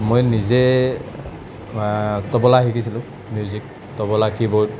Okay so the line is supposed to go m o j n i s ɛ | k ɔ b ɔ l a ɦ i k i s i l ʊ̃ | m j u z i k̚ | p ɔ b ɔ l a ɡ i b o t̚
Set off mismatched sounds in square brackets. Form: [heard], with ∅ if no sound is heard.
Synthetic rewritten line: m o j n i [z] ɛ | [t] ɔ b ɔ l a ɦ i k i s i l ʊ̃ | m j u z i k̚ | [t] ɔ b ɔ l a [k] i b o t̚